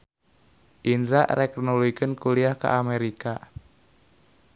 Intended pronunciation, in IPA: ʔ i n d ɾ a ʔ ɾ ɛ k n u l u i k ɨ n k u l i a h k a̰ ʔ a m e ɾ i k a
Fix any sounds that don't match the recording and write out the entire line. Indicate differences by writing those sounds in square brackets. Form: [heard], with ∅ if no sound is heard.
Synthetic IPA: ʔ i n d ɾ a ʔ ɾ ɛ k n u l u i k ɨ n k u l i a h k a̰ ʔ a m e ɾ i k a